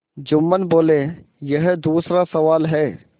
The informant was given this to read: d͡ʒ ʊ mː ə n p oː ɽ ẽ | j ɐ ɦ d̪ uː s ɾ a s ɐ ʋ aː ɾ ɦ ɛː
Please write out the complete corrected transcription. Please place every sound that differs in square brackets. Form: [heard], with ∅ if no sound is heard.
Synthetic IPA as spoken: d͡ʒ ʊ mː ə n [b] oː [l] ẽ | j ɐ ɦ d̪ uː s ɾ a s ɐ ʋ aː [l] ɦ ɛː